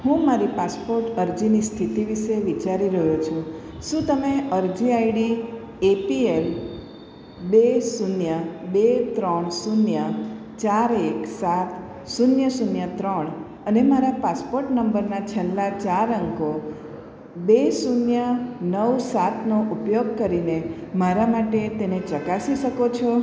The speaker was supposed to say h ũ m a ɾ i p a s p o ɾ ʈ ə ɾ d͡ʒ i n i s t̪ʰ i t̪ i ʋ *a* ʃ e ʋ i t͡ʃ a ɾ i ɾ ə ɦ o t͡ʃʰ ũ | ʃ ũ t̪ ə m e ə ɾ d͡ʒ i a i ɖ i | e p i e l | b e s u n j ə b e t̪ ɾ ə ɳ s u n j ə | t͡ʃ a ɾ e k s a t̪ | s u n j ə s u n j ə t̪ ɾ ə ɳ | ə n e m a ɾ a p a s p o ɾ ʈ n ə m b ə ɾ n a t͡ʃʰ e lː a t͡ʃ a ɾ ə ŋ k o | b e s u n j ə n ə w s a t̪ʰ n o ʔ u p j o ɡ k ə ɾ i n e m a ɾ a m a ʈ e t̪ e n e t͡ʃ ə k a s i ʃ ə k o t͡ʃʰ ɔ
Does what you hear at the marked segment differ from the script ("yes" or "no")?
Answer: yes